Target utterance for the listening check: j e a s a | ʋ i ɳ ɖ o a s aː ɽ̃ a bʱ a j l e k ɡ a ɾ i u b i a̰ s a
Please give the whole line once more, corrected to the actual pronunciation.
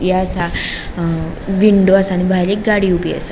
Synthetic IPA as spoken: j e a s a | ʋ i ɳ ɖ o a s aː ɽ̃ i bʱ a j l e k ɡ a ɽ i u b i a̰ s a